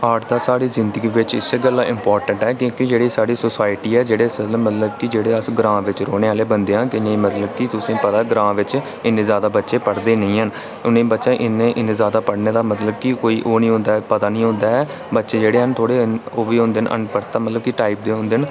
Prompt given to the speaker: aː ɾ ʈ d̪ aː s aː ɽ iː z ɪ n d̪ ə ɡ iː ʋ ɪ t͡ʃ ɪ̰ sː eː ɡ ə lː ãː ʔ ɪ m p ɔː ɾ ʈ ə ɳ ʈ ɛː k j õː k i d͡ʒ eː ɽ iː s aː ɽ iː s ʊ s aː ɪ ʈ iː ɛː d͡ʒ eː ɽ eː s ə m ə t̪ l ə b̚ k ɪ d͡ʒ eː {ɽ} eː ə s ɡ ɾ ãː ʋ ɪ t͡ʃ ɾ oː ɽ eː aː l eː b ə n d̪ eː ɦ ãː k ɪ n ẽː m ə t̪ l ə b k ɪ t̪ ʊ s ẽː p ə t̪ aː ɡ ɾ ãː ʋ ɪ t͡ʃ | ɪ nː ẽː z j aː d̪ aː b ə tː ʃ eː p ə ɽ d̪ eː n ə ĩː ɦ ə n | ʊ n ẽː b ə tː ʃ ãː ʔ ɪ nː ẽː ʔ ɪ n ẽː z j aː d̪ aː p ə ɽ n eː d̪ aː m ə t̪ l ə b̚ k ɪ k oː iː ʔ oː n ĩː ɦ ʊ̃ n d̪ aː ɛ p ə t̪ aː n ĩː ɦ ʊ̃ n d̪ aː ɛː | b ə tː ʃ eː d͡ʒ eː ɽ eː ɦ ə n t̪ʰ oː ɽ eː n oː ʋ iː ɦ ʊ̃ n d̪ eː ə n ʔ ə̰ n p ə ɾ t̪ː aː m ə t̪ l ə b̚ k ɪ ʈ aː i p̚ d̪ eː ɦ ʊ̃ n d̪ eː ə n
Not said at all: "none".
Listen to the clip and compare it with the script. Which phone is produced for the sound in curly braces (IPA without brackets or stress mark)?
ɽ